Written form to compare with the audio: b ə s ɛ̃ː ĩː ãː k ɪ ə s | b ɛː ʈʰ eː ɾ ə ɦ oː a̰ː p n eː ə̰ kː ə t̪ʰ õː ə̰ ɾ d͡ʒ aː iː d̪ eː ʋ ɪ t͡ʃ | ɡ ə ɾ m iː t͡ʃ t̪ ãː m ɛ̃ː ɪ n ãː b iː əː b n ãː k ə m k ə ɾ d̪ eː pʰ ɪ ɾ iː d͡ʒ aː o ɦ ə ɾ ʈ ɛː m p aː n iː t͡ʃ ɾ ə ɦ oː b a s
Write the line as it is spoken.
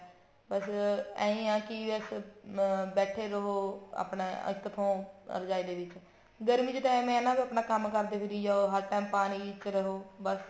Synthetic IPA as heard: b ə s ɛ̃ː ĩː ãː k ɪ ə s | b ɛː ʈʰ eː ɾ ə ɦ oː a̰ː p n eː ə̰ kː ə t̪ʰ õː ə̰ ɾ d͡ʒ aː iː d̪ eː ʋ ɪ t͡ʃ | ɡ ə ɾ m iː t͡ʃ t̪ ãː m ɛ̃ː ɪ n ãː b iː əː p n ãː k ə m k ə ɾ d̪ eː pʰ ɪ ɾ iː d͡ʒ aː o ɦ ə ɾ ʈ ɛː m p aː n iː t͡ʃ ɾ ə ɦ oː b ə s

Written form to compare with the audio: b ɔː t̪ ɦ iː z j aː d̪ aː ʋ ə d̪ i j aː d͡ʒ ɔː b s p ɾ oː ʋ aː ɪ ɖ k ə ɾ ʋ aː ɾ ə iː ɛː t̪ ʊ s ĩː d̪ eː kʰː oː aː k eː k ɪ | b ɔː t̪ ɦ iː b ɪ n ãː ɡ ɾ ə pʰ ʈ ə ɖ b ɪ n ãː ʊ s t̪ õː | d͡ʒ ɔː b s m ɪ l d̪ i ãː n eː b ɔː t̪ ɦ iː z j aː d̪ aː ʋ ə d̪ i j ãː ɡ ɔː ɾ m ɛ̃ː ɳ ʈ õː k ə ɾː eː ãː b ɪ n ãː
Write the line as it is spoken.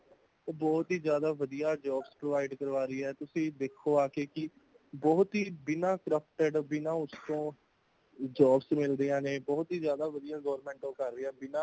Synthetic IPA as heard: b ɔː t̪ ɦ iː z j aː d̪ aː ʋ ə d̪ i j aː d͡ʒ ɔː b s p ɾ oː ʋ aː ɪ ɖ k ə ɾ ʋ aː ɾ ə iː ɛː t̪ ʊ s ĩː d̪ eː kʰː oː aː k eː k ɪ | b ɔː t̪ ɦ iː b ɪ n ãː k ɾ ə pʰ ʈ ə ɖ b ɪ n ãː ʊ s t̪ õː | d͡ʒ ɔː b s m ɪ l d̪ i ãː n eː b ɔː t̪ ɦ iː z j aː d̪ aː ʋ ə d̪ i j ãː ɡ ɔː ɾ m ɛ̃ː ɳ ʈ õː k ə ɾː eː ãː b ɪ n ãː

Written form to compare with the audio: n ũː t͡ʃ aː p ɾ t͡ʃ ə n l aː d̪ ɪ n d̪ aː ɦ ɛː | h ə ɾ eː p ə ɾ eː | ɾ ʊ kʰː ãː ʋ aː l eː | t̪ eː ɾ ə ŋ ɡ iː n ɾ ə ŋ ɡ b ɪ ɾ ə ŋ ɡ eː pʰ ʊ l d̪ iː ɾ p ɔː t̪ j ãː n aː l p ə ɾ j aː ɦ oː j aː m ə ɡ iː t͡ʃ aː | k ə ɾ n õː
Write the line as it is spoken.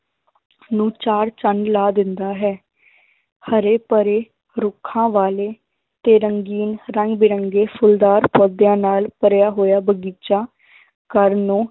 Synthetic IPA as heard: n ũː t͡ʃ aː ɾ t͡ʃ ə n l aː d̪ ɪ n d̪ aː ɦ ɛː | h ə ɾ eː p ə ɾ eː | ɾ ʊ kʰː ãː ʋ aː l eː | t̪ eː ɾ ə ŋ ɡ iː n ɾ ə ŋ ɡ b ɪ ɾ ə ŋ ɡ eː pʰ ʊ l d̪ aː ɾ p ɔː d̪ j ãː n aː l p ə ɾ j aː ɦ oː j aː b ə ɡ iː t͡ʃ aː | k ə ɾ n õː

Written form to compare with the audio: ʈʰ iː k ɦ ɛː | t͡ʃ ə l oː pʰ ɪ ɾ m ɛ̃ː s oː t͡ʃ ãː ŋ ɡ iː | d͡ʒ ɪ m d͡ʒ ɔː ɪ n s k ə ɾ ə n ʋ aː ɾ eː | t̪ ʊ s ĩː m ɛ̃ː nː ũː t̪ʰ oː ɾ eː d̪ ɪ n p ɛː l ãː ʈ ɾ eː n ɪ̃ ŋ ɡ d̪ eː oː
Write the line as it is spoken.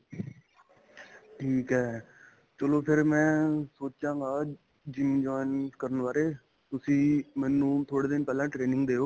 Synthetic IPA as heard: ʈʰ iː k ɦ ɛː | t͡ʃ ə l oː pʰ ɪ ɾ m ɛ̃ː s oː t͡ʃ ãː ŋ ɡ aː | d͡ʒ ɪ m d͡ʒ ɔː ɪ n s k ə ɾ ə n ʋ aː ɾ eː | t̪ ʊ s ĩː m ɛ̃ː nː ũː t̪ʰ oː ɽ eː d̪ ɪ n p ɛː l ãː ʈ ɾ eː n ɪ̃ ŋ ɡ d̪ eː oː

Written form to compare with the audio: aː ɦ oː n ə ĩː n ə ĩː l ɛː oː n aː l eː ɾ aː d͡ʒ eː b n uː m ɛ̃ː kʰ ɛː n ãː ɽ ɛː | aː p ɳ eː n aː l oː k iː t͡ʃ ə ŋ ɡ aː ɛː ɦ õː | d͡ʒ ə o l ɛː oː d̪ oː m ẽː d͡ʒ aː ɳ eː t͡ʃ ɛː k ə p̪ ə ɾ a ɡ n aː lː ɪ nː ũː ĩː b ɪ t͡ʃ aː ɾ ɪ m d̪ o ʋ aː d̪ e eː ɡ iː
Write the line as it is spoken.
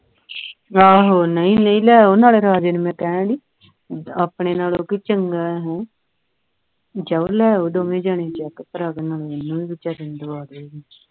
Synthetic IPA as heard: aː ɦ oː n ə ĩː n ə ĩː l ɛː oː n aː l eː ɾ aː d͡ʒ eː n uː m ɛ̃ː k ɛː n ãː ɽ iː | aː p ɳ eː n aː l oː k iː t͡ʃ ə ŋ ɡ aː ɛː ɦ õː | d͡ʒ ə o l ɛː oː d̪ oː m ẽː d͡ʒ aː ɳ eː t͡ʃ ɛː k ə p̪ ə ɾ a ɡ n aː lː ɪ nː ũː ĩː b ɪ t͡ʃ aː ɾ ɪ n d̪ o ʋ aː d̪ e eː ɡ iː

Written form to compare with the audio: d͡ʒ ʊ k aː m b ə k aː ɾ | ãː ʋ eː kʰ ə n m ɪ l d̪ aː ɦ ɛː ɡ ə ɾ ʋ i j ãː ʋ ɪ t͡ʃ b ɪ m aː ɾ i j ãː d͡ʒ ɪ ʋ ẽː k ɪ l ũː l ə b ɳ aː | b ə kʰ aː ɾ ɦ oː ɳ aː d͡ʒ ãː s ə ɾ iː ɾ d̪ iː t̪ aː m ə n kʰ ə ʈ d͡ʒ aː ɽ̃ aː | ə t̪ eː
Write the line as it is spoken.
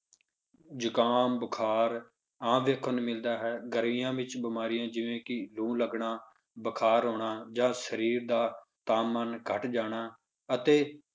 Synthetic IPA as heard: d͡ʒ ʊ k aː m b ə kʰ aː ɾ | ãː ʋ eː kʰ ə n m ɪ l d̪ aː ɦ ɛː ɡ ə ɾ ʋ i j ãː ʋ ɪ t͡ʃ b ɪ m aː ɾ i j ãː d͡ʒ ɪ ʋ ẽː k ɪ l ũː l ə ɡ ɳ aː | b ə kʰ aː ɾ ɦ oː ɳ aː d͡ʒ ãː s ə ɾ iː ɾ d̪ aː t̪ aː m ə n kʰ ə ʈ d͡ʒ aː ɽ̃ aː | ə t̪ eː

